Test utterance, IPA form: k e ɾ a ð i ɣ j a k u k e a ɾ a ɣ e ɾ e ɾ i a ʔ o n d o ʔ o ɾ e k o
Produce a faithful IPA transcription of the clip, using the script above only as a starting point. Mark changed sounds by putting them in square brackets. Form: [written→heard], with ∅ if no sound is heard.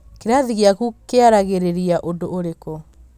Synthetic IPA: k e ɾ a ð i ɣ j a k u k e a ɾ a ɣ e ɾ e ɾ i a ʔ o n d o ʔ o ɾ e k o